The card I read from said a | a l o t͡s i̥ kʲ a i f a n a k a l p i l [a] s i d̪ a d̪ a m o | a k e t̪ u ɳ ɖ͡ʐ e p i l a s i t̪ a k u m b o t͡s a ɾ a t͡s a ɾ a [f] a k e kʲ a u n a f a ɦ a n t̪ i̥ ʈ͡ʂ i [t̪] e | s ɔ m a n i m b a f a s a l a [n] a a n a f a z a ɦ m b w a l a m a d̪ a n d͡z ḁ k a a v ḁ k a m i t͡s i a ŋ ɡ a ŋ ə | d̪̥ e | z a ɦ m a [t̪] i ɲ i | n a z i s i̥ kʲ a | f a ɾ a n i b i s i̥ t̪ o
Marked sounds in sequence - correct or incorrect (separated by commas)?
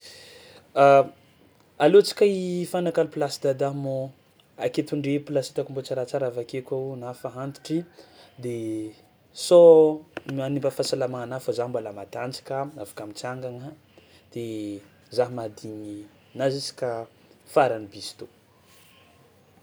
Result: correct, incorrect, incorrect, incorrect, incorrect